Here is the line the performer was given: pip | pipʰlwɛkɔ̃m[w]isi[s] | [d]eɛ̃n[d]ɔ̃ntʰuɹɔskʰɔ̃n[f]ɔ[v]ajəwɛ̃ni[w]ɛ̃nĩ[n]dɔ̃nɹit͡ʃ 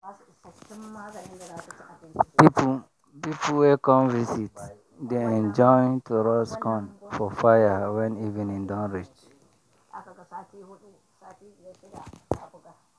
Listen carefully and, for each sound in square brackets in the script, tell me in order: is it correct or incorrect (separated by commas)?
incorrect, incorrect, correct, incorrect, correct, incorrect, incorrect, correct